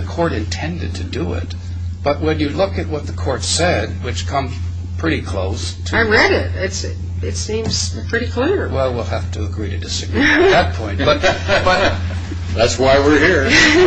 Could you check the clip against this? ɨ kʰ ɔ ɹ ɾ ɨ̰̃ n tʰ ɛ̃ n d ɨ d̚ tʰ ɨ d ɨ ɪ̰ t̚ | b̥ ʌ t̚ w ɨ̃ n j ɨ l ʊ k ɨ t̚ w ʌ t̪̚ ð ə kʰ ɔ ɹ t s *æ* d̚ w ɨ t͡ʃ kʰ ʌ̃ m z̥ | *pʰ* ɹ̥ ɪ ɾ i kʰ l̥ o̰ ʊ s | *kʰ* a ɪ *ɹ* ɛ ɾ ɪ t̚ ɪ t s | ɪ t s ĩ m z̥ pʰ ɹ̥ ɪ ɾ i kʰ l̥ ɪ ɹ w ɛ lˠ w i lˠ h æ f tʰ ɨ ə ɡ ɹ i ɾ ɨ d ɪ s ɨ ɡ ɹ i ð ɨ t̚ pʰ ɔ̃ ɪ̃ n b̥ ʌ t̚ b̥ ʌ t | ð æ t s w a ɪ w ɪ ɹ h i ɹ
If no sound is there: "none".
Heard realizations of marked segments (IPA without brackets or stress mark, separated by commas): ɛ, pʰ, tʰ, ɹ